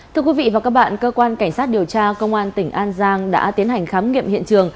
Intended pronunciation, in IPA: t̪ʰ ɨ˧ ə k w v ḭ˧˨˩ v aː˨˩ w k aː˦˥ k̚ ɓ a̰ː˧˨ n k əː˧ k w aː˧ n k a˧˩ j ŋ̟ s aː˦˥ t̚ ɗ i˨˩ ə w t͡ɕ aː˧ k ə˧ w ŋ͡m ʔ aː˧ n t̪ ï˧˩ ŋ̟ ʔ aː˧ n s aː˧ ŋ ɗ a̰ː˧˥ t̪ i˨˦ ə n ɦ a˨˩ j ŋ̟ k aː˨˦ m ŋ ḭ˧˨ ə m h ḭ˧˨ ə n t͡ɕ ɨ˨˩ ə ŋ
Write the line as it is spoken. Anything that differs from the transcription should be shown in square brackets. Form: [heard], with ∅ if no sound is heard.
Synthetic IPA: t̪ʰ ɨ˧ ə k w v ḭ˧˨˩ v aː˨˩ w k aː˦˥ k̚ ɓ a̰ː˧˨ n k əː˧ k w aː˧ n k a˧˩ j ŋ̟ s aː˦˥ t̚ ɗ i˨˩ ə w t͡ɕ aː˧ k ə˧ w ŋ͡m ʔ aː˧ n t̪ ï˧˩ ŋ̟ ʔ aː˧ n [z] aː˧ ŋ ɗ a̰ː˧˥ t̪ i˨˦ ə n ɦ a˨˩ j ŋ̟ [x] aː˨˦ m ŋ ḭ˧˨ ə m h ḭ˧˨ ə n t͡ɕ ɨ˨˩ ə ŋ